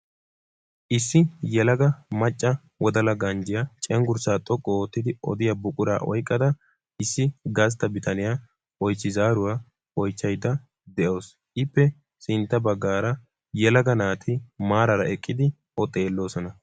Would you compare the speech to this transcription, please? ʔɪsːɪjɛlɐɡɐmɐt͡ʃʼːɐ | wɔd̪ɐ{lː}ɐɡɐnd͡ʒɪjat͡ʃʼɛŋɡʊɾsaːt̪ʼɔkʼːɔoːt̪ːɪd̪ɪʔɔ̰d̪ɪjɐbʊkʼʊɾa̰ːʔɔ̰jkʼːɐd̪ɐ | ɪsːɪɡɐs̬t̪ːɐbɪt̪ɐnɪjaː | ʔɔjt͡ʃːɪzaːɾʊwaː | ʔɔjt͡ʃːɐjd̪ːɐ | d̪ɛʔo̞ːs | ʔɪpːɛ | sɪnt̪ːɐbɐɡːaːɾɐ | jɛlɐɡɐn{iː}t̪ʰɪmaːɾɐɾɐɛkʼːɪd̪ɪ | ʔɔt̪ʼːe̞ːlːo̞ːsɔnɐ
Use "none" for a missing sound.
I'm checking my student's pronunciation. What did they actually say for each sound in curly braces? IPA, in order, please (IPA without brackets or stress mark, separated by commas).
l, aː